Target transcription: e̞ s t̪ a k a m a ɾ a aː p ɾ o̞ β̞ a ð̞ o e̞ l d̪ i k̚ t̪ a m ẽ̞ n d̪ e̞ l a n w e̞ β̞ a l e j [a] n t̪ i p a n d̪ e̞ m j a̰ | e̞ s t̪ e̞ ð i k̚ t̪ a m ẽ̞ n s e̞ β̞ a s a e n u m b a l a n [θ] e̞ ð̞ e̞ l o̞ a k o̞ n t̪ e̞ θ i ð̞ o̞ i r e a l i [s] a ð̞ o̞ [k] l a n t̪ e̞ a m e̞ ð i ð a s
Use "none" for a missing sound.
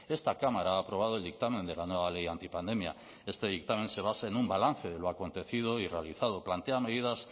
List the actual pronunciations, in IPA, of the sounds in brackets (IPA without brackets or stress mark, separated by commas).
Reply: a, θ, θ, p